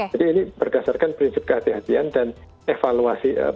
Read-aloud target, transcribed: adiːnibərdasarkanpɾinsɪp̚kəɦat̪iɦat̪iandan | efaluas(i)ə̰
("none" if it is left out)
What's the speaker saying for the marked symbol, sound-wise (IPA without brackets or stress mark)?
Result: i